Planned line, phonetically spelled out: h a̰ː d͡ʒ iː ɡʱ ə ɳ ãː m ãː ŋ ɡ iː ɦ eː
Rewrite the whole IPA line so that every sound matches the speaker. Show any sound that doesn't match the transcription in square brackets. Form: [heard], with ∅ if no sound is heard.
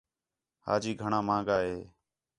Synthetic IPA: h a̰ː d͡ʒ iː ɡʱ ə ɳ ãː m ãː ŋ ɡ [aː] ɦ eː